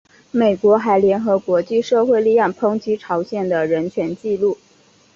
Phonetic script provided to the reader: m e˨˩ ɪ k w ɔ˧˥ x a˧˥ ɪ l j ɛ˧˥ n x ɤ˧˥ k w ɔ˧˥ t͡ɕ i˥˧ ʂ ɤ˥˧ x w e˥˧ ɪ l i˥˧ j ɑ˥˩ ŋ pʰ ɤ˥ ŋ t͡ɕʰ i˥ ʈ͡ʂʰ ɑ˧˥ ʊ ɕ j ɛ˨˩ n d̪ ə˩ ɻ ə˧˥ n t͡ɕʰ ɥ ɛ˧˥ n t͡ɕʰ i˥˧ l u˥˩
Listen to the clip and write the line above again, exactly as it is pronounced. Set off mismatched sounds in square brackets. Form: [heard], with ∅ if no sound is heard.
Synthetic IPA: m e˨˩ ɪ k w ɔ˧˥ x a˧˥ ɪ l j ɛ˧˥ n x ɤ˧˥ k w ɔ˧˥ t͡ɕ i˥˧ ʂ ɤ˥˧ x w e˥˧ ɪ l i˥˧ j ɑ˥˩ ŋ pʰ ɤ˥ ŋ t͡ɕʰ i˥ ʈ͡ʂʰ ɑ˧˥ ʊ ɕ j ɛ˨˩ n d̪ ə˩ ɻ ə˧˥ n t͡ɕʰ ɥ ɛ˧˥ n [t͡ɕ] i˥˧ l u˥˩